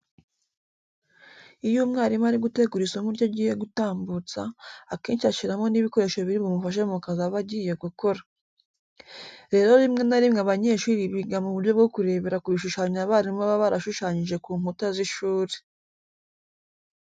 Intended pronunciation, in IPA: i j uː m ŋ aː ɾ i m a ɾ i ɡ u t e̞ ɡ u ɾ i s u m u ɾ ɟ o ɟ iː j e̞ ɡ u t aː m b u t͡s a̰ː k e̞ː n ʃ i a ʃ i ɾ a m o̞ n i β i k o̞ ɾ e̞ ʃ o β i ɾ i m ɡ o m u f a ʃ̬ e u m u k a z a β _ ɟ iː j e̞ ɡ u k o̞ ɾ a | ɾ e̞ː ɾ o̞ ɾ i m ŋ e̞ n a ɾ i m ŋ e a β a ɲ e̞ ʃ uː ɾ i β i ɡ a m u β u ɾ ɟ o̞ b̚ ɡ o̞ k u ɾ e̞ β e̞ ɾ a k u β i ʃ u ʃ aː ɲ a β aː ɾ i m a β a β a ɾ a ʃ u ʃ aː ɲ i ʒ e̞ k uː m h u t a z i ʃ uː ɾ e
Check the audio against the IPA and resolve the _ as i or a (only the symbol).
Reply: a